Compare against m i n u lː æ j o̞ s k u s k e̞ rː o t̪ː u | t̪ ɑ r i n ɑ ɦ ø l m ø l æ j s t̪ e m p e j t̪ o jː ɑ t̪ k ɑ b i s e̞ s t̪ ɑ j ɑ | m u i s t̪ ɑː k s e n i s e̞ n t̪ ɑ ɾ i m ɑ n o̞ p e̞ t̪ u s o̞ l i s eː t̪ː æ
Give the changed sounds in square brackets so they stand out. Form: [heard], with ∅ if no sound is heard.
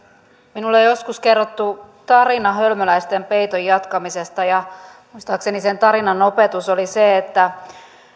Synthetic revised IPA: m i n u lː [e] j o̞ s k u s k e̞ rː o t̪ː u | t̪ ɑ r i n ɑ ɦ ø l m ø l æ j s t̪ e m p e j t̪ o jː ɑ t̪ k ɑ [m] i s e̞ s t̪ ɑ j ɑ | m u i s t̪ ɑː k s e n i s e̞ n t̪ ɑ ɾ i [n] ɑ n o̞ p e̞ t̪ u s o̞ l i s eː t̪ː æ